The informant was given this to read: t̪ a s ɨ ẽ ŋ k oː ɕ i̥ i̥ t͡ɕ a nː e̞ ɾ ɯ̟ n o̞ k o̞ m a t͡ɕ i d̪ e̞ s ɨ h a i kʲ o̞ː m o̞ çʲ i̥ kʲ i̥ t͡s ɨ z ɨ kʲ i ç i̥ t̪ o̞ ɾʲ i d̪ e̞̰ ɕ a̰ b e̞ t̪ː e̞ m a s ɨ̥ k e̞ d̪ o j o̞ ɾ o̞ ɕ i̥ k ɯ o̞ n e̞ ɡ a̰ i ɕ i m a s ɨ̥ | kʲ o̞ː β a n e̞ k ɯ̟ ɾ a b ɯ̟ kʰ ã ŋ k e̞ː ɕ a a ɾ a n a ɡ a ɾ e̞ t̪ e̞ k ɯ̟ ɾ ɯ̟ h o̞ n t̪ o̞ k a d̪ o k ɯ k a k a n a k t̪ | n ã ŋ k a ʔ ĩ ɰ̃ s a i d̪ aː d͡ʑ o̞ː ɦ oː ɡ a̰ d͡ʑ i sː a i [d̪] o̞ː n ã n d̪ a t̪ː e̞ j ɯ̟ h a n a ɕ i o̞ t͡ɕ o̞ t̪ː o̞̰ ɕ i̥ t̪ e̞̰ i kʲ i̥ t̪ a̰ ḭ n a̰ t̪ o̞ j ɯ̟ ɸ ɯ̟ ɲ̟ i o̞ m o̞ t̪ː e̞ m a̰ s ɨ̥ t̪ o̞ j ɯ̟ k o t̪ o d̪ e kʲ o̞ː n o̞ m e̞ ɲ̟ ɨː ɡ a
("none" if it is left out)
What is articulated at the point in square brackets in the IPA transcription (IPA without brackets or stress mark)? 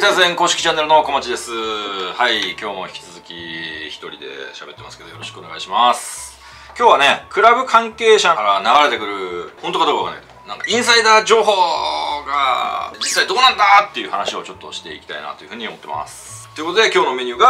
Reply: d̪